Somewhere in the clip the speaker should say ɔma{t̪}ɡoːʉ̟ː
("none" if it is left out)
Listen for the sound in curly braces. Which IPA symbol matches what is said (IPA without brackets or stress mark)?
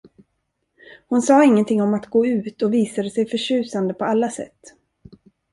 t̪